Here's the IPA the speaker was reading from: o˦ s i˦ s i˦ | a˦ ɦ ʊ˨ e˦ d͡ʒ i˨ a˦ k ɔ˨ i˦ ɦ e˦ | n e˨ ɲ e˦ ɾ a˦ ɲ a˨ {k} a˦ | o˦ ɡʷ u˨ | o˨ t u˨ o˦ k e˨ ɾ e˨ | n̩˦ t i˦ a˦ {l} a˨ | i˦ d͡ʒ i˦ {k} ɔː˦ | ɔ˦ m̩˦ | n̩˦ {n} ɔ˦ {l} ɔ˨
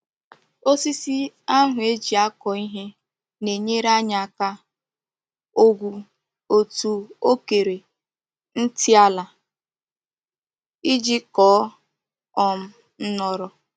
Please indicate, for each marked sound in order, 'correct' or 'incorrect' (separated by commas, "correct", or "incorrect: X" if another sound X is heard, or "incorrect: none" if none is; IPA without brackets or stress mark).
correct, correct, correct, correct, incorrect: ɾ